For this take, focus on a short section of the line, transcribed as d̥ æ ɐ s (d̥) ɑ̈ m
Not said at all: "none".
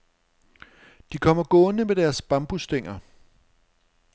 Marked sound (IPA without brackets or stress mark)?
b̥